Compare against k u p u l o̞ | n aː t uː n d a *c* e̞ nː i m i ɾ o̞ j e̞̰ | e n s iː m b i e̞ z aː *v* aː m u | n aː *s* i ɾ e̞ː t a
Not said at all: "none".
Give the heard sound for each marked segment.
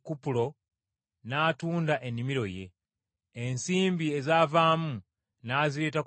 ʔ, v, z

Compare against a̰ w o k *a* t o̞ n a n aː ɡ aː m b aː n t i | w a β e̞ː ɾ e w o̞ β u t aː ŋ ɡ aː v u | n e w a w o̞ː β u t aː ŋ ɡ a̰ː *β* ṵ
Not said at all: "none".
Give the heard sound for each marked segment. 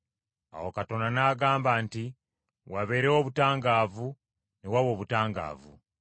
a, v

